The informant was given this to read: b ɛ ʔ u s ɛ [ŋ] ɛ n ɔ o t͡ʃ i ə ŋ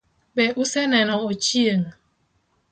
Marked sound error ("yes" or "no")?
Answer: yes